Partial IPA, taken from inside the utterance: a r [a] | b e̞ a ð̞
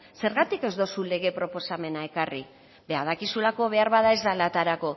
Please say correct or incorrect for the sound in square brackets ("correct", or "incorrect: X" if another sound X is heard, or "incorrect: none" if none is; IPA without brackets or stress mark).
incorrect: i